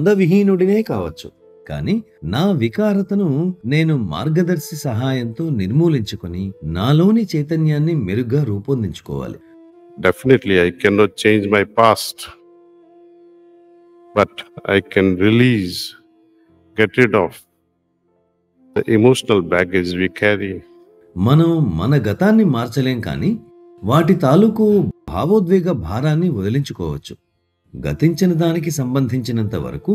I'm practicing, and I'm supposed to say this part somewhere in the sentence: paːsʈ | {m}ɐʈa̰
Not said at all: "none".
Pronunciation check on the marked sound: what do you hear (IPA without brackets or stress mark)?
b